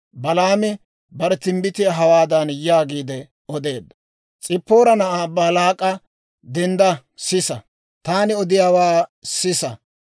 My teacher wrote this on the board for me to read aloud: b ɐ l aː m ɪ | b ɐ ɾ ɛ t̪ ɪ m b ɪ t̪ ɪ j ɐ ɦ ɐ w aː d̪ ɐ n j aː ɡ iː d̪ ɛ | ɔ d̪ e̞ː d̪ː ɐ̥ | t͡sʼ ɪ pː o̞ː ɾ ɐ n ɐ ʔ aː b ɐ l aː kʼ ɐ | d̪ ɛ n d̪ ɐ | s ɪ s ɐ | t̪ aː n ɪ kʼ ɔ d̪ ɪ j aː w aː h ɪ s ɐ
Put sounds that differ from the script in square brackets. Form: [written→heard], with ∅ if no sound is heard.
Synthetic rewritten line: b ɐ l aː m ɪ | b ɐ ɾ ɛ t̪ ɪ m b ɪ t̪ ɪ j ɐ ɦ ɐ w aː d̪ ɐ n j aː ɡ iː d̪ ɛ | ɔ d̪ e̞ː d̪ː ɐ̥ | t͡sʼ ɪ pː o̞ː ɾ ɐ n ɐ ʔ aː b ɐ l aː kʼ ɐ | d̪ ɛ n d̪ ɐ | s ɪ s ɐ | t̪ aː n ɪ [kʼ→∅] ɔ d̪ ɪ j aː w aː [h→s] ɪ s ɐ

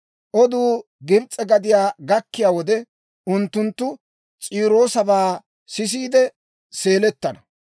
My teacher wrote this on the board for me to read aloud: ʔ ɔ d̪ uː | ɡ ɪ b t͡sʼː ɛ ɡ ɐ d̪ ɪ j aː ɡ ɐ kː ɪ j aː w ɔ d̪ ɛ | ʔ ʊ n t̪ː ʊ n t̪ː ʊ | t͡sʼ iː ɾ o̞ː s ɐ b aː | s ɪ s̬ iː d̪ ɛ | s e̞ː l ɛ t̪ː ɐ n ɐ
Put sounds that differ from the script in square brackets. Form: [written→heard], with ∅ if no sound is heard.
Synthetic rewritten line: ʔ ɔ d̪ uː | ɡ ɪ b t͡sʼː ɛ ɡ ɐ d̪ ɪ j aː ɡ ɐ kː ɪ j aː w ɔ d̪ ɛ | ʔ ʊ n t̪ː ʊ n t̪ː ʊ | t͡sʼ iː ɾ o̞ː s ɐ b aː | s ɪ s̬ iː d̪ ɛ | s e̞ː l ɛ t̪ː ɐ n ɐ

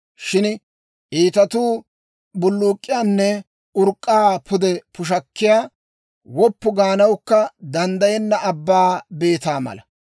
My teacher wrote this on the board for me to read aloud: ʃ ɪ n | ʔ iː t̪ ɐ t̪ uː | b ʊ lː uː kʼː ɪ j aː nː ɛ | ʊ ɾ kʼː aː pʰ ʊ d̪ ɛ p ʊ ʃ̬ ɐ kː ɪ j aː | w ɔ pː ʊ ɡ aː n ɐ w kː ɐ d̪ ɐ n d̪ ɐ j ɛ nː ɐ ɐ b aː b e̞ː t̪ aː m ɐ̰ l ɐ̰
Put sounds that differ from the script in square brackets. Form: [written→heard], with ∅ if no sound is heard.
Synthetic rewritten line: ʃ ɪ n | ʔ iː t̪ ɐ t̪ uː | b ʊ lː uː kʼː ɪ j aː nː ɛ | ʊ ɾ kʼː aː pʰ ʊ d̪ ɛ p ʊ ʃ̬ ɐ kː ɪ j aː | w ɔ pː ʊ ɡ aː n ɐ w kː ɐ d̪ ɐ n d̪ ɐ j ɛ nː ɐ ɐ [b→bː] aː b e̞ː t̪ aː m ɐ̰ l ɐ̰

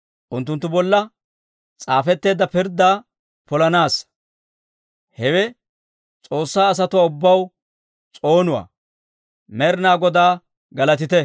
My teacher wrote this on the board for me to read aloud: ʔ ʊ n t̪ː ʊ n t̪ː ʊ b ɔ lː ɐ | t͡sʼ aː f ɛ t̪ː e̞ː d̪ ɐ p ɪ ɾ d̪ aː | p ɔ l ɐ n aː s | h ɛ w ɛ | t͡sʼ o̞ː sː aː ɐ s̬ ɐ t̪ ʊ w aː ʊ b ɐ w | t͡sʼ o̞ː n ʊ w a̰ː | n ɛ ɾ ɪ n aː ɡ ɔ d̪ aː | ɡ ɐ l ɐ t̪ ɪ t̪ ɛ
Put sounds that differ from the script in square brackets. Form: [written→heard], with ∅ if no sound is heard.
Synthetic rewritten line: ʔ ʊ n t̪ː ʊ n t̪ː ʊ b ɔ lː ɐ | t͡sʼ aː f ɛ t̪ː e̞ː d̪ ɐ p ɪ ɾ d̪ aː | p ɔ l ɐ n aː s | h ɛ w ɛ | t͡sʼ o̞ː sː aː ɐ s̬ ɐ t̪ ʊ w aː ʊ [b→bː] ɐ w | t͡sʼ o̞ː n ʊ w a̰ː | [n→m] ɛ ɾ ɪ n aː ɡ ɔ d̪ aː | ɡ ɐ l ɐ t̪ ɪ t̪ ɛ

